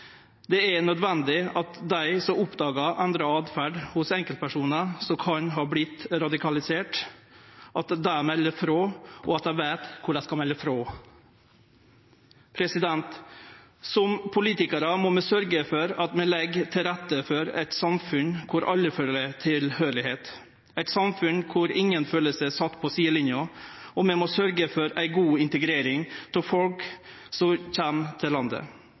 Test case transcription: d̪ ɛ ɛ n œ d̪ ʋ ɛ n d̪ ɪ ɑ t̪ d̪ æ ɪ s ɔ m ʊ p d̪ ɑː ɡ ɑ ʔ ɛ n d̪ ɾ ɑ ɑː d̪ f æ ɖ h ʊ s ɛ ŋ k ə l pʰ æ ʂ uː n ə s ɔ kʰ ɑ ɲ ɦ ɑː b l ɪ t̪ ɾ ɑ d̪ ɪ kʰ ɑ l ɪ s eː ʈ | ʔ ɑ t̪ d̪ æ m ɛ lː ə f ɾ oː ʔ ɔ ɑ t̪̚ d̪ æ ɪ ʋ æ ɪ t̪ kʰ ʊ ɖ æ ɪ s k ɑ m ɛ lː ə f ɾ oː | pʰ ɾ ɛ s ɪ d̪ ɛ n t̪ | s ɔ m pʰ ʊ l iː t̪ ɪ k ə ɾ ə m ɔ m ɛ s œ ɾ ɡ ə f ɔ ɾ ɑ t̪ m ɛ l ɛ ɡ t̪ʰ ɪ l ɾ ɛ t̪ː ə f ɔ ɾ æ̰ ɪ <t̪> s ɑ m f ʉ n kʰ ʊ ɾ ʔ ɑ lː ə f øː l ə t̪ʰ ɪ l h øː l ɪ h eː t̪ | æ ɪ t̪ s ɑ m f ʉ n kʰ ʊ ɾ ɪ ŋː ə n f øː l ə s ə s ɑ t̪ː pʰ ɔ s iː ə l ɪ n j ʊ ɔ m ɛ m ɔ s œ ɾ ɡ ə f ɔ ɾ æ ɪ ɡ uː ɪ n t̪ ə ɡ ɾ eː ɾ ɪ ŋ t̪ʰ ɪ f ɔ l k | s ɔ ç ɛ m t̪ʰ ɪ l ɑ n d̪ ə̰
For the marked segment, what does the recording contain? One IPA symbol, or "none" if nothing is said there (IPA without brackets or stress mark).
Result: t̪